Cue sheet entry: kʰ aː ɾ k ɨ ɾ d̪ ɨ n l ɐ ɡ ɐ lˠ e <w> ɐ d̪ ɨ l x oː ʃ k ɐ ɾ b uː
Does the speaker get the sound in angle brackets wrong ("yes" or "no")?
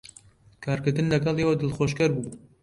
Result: no